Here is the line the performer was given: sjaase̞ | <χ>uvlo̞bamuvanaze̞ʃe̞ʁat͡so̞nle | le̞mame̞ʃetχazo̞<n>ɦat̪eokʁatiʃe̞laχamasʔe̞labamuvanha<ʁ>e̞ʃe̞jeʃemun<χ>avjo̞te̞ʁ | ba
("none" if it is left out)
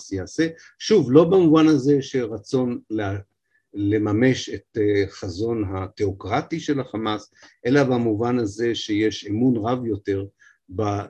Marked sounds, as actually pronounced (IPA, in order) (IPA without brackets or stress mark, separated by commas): ʃ, n, z, ʁ